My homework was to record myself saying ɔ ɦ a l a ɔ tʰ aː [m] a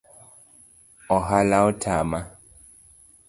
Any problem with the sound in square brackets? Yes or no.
no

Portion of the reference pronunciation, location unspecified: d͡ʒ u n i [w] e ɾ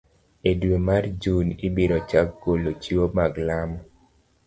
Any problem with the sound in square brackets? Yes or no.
yes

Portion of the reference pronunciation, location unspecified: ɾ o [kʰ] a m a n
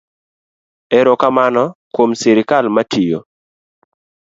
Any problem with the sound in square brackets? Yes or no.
yes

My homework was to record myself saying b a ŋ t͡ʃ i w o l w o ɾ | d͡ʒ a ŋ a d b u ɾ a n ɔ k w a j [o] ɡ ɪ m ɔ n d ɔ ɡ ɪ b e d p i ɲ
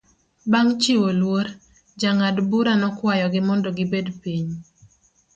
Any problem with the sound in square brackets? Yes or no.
yes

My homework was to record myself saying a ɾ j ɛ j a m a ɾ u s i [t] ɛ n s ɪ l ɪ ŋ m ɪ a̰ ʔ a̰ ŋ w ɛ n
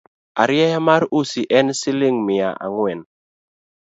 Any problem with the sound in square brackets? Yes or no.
yes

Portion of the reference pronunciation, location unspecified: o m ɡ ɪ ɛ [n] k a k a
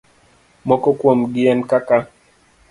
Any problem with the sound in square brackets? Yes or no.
no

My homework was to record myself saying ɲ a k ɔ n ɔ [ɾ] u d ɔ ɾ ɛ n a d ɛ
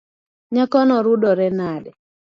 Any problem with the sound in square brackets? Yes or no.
no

